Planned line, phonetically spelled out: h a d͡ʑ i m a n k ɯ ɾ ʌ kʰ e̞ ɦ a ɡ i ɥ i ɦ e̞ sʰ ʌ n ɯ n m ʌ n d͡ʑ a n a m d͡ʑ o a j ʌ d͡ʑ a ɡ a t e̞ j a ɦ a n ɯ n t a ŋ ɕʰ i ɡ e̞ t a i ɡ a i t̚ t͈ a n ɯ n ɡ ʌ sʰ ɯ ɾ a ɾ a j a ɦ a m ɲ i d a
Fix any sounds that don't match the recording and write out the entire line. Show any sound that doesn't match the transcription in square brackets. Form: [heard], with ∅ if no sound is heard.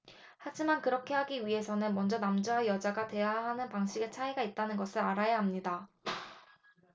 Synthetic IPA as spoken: h a d͡ʑ i m a n k ɯ ɾ ʌ kʰ e̞ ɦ a ɡ i ɥ i ɦ e̞ sʰ ʌ n ɯ n m ʌ n d͡ʑ [ʌ] n a m d͡ʑ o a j ʌ d͡ʑ a ɡ a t e̞ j a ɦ a n ɯ n [p] a ŋ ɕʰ i ɡ e̞ [t͡ɕʰ] a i ɡ a i t̚ t͈ a n ɯ n ɡ ʌ sʰ ɯ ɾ a ɾ a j a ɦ a m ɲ i d a